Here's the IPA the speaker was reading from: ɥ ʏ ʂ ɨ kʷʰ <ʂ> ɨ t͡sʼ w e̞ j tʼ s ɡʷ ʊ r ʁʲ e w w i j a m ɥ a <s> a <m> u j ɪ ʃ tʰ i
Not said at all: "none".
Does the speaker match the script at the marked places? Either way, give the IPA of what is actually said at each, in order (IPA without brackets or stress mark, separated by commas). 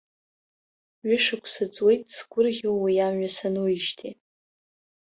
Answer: s, s, n